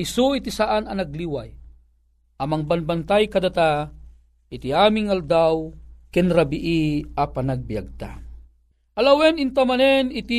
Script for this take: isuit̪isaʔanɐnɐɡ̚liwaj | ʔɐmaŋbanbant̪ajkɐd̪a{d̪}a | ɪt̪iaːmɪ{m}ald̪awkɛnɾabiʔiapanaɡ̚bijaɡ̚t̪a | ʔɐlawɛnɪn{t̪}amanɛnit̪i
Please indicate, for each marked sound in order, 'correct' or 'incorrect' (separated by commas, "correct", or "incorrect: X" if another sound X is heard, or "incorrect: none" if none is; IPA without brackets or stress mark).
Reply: incorrect: t̪, incorrect: ŋ, correct